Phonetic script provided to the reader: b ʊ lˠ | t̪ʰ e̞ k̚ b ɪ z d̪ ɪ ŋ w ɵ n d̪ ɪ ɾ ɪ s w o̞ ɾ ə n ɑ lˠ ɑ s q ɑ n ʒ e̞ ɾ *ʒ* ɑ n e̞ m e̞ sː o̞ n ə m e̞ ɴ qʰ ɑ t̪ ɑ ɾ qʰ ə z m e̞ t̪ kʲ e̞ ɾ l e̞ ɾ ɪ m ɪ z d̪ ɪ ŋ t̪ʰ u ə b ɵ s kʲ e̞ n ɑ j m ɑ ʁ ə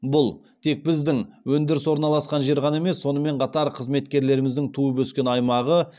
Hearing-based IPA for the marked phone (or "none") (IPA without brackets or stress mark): ʁ